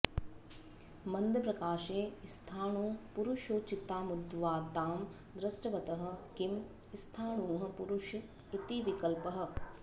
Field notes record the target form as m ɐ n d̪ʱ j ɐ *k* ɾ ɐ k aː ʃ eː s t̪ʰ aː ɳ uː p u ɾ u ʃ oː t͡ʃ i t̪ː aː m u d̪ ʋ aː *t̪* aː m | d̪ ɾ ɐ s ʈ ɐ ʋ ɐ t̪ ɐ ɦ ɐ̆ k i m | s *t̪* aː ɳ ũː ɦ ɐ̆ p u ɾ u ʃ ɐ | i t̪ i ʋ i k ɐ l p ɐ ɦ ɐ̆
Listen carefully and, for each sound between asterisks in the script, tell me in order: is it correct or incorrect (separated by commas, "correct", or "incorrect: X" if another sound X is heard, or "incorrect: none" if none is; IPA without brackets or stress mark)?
incorrect: p, correct, incorrect: t̪ʰ